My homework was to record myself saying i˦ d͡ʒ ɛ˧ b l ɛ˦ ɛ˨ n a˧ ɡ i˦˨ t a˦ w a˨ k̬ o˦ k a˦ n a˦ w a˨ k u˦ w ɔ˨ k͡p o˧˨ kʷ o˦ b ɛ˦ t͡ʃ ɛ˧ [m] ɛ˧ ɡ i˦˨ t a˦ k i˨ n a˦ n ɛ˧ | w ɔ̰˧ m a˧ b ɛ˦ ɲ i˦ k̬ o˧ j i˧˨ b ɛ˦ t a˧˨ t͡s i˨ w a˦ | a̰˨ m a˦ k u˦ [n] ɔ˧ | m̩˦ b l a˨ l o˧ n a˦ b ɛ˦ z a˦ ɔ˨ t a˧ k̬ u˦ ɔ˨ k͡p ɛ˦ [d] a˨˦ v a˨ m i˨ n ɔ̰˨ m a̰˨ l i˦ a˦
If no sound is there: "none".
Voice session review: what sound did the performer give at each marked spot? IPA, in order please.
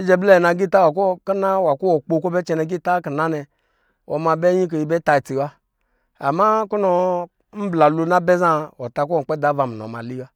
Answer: n, n, d

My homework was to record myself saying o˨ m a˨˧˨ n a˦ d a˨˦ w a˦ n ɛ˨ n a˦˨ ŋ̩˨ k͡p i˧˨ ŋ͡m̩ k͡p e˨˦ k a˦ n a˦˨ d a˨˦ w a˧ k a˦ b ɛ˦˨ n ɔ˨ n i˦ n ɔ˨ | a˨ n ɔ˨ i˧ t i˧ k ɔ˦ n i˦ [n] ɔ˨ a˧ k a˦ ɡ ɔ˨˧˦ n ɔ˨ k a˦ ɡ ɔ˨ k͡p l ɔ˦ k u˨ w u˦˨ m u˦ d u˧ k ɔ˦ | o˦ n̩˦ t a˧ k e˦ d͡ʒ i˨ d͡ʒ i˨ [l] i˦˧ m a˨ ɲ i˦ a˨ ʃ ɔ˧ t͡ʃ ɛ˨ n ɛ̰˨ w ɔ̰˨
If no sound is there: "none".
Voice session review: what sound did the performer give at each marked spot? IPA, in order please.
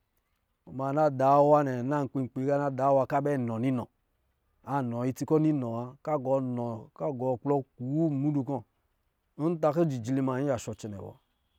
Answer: n, l

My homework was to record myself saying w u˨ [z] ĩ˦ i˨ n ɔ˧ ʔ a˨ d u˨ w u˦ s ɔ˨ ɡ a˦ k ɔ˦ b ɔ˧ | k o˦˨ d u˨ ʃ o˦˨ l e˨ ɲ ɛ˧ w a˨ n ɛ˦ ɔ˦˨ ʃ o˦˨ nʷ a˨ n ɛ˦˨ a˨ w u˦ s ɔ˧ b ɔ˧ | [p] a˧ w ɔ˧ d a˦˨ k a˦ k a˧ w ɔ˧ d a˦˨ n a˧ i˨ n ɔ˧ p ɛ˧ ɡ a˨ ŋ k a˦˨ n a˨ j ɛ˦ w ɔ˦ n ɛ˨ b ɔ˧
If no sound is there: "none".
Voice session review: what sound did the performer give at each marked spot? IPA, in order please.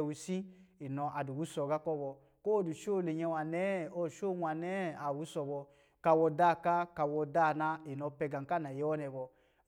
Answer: s, k

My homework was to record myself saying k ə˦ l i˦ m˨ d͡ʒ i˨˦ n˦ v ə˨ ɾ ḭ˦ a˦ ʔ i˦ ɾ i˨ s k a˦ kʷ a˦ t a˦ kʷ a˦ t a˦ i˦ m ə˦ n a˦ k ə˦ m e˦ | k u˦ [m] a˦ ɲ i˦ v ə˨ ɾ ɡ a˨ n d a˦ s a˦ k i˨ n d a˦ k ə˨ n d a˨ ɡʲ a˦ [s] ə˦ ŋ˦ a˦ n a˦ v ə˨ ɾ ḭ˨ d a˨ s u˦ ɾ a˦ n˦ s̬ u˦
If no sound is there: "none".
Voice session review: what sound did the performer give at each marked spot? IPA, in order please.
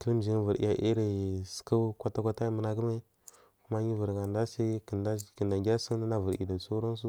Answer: m, s

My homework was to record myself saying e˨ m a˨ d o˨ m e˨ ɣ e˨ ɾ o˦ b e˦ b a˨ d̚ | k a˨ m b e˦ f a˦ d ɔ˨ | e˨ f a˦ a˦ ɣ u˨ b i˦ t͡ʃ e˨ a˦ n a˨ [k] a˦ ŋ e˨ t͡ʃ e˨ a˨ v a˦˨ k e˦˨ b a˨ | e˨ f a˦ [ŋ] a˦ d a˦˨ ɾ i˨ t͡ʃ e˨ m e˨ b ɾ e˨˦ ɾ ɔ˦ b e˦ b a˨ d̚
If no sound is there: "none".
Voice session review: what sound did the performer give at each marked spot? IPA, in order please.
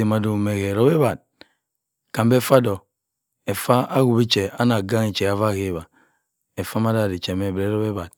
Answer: ɡ, m

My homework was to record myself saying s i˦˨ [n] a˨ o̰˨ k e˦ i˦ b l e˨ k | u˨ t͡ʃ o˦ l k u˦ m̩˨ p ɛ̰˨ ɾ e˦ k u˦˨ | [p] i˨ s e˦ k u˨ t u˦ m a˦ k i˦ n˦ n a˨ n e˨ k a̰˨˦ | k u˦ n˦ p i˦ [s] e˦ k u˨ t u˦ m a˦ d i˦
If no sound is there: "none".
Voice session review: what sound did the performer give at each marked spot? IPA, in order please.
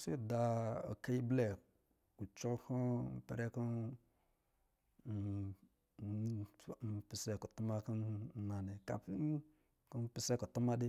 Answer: d, p, s

